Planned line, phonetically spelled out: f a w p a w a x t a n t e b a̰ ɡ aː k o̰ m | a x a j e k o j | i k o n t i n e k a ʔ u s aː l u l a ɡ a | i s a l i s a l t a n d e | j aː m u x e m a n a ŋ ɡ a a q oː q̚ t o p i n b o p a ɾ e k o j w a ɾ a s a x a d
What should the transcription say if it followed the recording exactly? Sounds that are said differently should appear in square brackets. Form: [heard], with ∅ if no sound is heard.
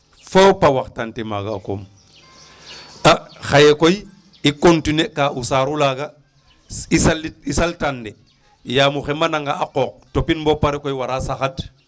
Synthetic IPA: f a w p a w a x t a n t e [m] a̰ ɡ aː k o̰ m | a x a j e k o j | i k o n t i n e k a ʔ u s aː [ɾ] u l a ɡ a | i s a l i s a l t a n d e | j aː m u x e m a n a ŋ ɡ a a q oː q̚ t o p i n b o p a ɾ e k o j w a ɾ a s a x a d